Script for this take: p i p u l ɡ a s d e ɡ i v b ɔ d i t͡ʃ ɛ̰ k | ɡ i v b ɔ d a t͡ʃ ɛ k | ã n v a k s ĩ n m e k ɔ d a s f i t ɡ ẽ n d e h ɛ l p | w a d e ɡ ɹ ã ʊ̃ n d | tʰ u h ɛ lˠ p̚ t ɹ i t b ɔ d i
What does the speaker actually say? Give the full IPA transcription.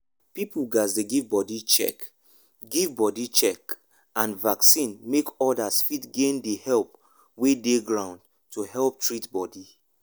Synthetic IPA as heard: p i p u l ɡ a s d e ɡ i v b ɔ d i t͡ʃ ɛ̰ k | ɡ i v b ɔ d i t͡ʃ ɛ k | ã n v a k s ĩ n m e k ɔ d a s f i t ɡ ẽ n d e h ɛ l p | w e d e ɡ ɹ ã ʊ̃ n d | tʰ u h ɛ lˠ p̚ t ɹ i t b ɔ d i

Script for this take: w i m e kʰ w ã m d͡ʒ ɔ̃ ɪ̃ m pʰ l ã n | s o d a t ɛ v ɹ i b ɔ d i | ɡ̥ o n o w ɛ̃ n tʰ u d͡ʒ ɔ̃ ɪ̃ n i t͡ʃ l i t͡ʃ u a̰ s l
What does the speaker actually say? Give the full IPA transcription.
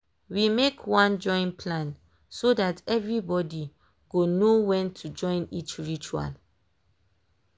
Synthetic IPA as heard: w i m e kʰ w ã n d͡ʒ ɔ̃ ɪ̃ n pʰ l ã n | s o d a t ɛ v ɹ i b ɔ d i | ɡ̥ o n o w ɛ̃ n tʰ u d͡ʒ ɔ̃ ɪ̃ n i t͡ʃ ɹ i t͡ʃ u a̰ l

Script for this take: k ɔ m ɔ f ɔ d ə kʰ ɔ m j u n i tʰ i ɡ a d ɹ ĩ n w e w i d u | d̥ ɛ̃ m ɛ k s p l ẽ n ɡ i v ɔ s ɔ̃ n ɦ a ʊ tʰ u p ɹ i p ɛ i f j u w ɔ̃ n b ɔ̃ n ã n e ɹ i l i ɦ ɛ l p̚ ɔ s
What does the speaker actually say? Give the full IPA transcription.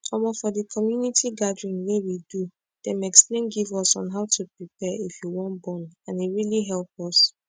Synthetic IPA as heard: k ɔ m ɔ f ɔ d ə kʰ ɔ m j u n i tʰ i ɡ a d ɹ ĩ n w e w i d u | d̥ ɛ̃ m ɛ k s p l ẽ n ɡ i v ɔ s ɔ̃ n ɦ a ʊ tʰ u p ɹ i p ɛ i f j u w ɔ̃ n b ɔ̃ n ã n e ɹ i l i ɦ ɛ l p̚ ɔ s

